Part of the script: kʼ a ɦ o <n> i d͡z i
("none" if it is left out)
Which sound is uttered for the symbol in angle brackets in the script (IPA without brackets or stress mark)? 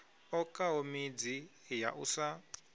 m